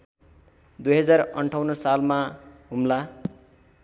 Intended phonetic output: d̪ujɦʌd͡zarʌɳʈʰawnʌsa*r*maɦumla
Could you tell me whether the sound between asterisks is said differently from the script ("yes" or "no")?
yes